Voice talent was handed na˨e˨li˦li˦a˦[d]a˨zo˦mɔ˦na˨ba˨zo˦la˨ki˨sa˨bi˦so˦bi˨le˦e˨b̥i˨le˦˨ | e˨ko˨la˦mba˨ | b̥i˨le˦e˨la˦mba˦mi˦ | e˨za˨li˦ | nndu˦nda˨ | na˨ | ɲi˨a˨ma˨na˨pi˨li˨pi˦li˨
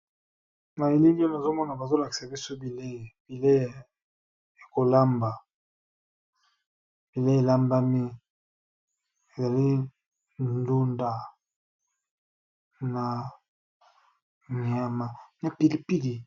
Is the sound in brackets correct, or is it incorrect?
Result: incorrect